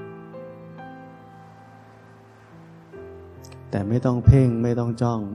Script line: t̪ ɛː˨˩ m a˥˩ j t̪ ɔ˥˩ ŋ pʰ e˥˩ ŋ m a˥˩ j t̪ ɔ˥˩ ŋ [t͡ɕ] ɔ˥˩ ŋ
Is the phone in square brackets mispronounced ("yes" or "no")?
no